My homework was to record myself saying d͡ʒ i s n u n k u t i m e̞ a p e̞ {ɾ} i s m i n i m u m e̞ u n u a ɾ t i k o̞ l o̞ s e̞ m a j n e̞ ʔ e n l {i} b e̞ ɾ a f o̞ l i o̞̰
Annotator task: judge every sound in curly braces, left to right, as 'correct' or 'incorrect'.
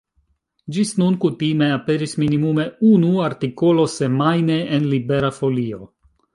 correct, correct

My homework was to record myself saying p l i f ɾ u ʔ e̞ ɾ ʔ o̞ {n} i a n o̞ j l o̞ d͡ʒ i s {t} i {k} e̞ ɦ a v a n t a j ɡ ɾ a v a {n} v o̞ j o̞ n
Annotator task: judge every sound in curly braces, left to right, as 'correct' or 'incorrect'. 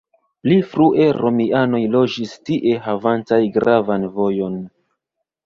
incorrect, correct, incorrect, correct

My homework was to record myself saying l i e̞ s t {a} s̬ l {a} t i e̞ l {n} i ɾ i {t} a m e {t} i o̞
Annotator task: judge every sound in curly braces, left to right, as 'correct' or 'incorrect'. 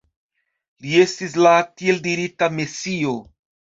incorrect, correct, incorrect, correct, incorrect

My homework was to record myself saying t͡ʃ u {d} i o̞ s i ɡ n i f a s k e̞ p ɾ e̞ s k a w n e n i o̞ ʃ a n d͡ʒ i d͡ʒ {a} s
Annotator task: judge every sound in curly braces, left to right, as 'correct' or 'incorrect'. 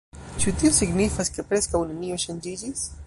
incorrect, incorrect

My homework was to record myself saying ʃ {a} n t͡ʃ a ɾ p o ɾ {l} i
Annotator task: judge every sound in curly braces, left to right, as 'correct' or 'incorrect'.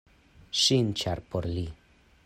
incorrect, correct

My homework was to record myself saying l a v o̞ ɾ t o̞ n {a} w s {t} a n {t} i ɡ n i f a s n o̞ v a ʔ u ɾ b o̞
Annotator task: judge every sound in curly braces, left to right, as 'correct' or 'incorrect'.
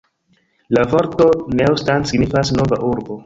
incorrect, correct, incorrect

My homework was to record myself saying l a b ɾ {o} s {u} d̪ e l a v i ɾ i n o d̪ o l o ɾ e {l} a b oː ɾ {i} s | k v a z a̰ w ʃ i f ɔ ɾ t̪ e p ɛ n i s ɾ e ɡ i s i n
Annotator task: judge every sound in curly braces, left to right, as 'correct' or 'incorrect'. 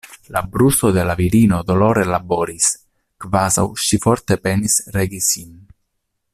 incorrect, incorrect, correct, correct

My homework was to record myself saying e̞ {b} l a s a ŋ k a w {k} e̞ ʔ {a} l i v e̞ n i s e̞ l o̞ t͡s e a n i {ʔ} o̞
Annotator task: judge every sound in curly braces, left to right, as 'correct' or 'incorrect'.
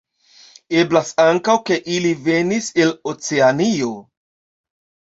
correct, correct, incorrect, incorrect

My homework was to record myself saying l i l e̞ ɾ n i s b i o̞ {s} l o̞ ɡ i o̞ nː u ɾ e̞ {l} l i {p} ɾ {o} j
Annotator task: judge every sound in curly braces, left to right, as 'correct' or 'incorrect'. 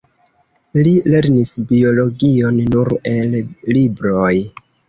incorrect, correct, incorrect, correct

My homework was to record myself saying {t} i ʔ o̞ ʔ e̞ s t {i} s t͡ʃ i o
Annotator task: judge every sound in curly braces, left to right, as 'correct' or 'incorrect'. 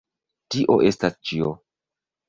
correct, incorrect

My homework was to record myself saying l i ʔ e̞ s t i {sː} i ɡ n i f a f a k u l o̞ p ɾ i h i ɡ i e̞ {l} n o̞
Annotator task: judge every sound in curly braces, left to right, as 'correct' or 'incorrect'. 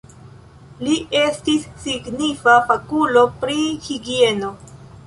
correct, incorrect

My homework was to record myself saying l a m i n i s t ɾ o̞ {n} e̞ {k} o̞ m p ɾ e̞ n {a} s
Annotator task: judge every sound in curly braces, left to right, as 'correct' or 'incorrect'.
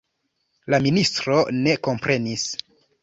correct, correct, incorrect

